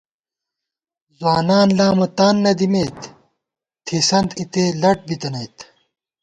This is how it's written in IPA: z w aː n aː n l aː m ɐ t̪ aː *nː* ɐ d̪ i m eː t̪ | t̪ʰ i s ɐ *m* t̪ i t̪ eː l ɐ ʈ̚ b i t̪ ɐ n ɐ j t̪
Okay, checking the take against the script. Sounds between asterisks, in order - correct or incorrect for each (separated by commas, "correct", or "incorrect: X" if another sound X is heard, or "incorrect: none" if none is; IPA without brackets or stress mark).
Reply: correct, incorrect: n